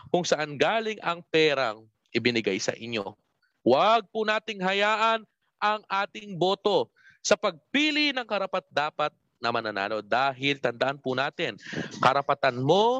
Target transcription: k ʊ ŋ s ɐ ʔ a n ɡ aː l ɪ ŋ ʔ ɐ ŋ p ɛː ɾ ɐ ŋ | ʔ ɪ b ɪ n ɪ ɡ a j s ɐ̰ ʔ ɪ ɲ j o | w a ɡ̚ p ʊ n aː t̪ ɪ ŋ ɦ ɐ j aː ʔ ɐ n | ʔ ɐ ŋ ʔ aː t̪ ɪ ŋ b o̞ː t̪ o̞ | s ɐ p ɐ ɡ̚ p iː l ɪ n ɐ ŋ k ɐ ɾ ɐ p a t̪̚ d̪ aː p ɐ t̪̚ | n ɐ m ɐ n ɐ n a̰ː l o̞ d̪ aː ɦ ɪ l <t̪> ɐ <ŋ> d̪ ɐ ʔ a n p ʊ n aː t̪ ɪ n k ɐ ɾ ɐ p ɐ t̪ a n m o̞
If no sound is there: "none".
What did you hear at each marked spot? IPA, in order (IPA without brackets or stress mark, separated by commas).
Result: t̪, n